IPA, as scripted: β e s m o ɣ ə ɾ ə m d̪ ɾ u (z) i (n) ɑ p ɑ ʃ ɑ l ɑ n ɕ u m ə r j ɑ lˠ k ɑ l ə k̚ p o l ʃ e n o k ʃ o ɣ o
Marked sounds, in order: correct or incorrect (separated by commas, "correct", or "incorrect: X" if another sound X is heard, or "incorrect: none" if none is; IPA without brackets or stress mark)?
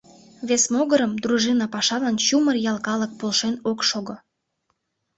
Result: incorrect: ʒ, correct